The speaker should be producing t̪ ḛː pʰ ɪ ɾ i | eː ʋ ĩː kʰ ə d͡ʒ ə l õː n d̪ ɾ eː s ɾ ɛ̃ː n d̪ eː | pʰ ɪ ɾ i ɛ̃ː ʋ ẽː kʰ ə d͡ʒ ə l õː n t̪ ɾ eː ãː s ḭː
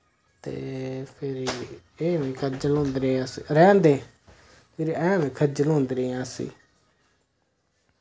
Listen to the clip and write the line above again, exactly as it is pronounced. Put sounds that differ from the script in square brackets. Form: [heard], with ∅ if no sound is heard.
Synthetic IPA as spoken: t̪ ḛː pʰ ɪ ɾ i | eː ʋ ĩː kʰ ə d͡ʒ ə l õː n d̪ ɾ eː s ɾ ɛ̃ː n d̪ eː | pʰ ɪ ɾ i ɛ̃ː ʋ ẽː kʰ ə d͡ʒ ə l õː n [d̪] ɾ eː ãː s ḭː